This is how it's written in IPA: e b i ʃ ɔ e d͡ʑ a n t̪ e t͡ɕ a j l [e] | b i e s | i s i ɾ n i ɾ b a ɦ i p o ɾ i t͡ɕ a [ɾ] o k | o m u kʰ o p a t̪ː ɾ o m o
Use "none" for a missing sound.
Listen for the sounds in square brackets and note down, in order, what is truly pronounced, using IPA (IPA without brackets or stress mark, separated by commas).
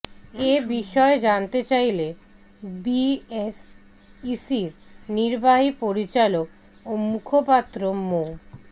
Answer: e, l